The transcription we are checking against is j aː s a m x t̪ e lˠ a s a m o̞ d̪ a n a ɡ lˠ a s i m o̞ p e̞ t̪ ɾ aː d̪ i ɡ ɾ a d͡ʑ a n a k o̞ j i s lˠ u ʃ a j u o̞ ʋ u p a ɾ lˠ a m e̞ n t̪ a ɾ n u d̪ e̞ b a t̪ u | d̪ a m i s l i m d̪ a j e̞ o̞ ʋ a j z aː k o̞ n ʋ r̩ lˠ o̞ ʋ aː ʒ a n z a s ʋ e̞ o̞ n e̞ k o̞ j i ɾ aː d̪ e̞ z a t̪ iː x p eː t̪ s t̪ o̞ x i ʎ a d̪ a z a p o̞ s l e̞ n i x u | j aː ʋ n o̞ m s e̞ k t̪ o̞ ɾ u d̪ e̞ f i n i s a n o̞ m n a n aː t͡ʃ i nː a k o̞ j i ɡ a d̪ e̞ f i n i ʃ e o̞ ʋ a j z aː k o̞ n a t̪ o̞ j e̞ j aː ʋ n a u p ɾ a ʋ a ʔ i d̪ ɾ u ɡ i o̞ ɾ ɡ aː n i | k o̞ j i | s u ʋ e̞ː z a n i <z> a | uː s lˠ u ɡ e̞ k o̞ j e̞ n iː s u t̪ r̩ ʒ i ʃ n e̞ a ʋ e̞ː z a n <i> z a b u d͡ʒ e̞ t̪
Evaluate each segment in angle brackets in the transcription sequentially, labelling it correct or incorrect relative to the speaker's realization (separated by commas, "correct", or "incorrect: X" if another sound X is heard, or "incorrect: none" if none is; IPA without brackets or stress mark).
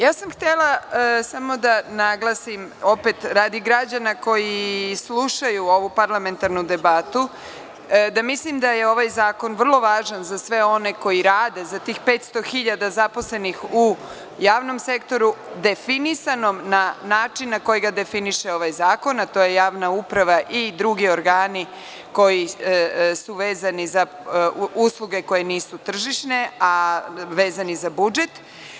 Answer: correct, correct